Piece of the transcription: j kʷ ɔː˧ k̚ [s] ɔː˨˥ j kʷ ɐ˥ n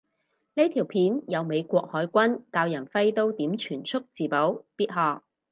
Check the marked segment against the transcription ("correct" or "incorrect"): incorrect